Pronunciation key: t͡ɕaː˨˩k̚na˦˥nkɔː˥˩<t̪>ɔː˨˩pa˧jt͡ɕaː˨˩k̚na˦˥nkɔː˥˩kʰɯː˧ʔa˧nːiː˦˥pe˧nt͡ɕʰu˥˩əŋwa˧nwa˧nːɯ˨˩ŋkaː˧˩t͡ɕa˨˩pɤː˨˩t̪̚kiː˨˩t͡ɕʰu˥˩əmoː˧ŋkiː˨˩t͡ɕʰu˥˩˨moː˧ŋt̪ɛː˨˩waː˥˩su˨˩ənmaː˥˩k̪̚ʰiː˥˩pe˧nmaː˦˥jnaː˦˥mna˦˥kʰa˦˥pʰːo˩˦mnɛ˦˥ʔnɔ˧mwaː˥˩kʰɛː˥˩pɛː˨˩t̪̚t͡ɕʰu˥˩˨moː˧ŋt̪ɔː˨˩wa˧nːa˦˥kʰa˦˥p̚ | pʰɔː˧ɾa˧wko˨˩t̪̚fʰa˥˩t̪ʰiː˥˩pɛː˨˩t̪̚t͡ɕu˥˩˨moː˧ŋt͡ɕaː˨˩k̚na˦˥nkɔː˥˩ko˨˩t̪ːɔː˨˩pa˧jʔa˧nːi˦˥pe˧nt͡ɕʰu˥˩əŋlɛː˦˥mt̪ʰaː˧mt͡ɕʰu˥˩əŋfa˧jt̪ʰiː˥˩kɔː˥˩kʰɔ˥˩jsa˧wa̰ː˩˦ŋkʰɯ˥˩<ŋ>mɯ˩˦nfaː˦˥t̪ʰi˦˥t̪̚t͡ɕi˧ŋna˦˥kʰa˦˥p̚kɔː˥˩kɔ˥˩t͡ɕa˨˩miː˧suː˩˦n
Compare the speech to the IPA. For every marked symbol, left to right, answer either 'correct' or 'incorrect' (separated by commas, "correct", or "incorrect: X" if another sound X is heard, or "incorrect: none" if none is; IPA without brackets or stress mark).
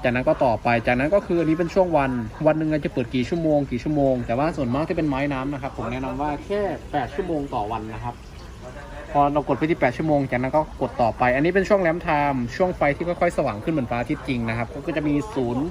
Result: correct, incorrect: n